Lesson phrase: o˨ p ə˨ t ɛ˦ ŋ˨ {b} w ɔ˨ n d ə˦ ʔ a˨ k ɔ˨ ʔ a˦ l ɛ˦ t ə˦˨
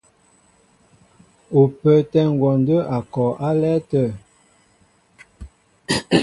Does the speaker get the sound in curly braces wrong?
yes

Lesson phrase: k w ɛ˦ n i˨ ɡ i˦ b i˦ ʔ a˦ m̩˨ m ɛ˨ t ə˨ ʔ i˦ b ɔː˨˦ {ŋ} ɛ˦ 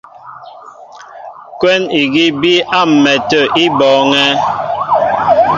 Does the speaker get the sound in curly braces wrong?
no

